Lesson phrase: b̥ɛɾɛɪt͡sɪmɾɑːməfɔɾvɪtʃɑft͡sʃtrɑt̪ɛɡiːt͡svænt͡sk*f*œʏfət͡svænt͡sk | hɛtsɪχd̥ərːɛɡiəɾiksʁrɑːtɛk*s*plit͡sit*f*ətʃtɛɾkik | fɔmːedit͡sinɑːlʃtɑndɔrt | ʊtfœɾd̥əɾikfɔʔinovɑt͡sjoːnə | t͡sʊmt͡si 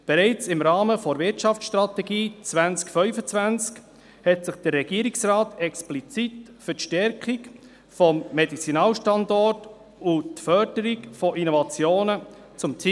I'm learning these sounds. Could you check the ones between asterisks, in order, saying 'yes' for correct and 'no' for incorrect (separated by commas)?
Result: yes, yes, yes